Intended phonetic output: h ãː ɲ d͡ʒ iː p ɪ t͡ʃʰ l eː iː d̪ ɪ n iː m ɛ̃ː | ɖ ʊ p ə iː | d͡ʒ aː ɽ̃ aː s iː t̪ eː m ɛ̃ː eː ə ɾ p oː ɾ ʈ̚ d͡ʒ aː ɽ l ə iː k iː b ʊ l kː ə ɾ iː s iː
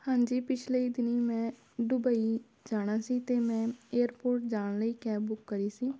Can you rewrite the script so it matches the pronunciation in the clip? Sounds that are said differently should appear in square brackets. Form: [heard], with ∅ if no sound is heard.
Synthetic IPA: h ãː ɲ d͡ʒ iː p ɪ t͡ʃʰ l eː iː d̪ ɪ n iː m ɛ̃ː | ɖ ʊ [b] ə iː | d͡ʒ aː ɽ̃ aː s iː t̪ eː m ɛ̃ː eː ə ɾ p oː ɾ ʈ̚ d͡ʒ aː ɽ l ə iː k [ɛː] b ʊ [∅] kː ə ɾ iː s iː